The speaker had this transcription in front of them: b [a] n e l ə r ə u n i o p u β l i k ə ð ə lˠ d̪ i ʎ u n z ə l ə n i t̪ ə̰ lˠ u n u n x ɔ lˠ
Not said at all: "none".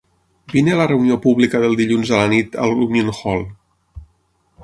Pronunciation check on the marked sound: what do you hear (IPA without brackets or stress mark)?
i